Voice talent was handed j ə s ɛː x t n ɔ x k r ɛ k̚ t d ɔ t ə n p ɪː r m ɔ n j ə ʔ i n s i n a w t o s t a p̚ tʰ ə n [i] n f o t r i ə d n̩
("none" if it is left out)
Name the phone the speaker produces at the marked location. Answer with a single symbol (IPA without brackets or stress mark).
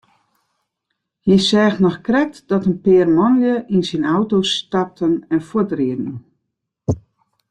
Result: ɛ